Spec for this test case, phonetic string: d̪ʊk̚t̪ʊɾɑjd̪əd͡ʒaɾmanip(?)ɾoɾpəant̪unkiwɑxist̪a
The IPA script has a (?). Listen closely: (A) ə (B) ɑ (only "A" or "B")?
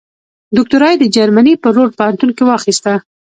A